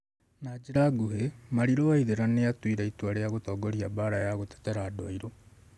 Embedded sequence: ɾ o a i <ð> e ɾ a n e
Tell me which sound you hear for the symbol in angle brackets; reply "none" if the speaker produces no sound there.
ð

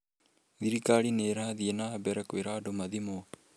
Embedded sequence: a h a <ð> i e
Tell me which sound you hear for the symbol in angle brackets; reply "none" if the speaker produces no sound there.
ð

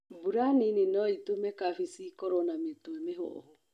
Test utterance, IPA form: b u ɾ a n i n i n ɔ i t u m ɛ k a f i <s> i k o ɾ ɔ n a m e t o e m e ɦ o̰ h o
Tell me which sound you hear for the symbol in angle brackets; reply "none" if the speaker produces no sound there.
s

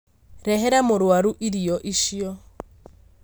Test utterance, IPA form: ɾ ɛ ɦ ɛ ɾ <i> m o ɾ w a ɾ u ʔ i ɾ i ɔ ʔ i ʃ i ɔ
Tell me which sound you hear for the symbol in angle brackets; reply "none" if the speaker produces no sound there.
a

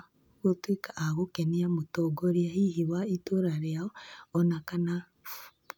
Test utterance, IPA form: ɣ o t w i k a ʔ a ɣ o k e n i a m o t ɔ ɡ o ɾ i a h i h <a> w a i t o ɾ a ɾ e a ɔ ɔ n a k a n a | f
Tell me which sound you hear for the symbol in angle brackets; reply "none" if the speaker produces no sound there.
i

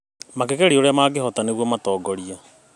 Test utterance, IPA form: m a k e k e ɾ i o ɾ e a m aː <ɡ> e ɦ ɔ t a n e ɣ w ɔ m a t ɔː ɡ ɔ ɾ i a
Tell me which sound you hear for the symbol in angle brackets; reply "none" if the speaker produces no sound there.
ɡ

